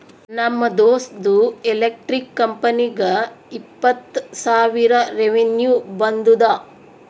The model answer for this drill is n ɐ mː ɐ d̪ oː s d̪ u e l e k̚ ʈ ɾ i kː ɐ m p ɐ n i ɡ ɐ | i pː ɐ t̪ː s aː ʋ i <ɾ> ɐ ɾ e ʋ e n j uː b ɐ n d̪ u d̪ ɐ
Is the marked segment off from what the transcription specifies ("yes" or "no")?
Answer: no